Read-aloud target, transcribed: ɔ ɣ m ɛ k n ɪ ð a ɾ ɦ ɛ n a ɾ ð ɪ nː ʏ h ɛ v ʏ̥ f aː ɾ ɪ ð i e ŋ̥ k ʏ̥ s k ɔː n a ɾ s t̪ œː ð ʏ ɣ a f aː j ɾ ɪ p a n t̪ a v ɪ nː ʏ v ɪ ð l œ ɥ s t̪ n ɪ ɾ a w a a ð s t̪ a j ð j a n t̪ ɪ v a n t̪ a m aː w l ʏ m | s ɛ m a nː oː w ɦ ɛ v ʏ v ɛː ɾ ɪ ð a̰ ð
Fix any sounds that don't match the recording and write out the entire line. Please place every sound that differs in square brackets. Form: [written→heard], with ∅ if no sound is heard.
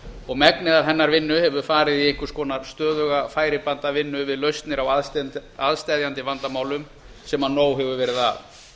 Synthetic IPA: ɔ ɣ m ɛ k n ɪ ð a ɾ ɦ ɛ [n→nː] a ɾ [ð→v] ɪ nː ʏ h ɛ v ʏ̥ f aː ɾ ɪ ð i e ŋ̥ k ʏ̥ s k ɔː n a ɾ s t̪ œː ð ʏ ɣ a f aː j ɾ ɪ p a n t̪ a v ɪ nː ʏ v ɪ ð l œ ɥ s t̪ n ɪ ɾ a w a a ð s t̪ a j ð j a n t̪ ɪ v a n t̪ a m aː w l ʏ m | s ɛ m a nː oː w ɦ ɛ v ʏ v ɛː ɾ ɪ ð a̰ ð